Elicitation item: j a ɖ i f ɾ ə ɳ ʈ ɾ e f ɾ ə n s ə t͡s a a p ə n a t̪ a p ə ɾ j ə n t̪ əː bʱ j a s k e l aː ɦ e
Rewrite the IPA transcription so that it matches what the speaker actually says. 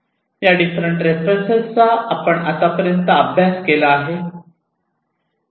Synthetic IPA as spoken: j a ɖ i f ɾ ə ɳ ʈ ɾ e f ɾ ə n s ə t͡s a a p ə ɳ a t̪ a p ə ɾ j ə n t̪ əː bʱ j a s k e l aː ɦ e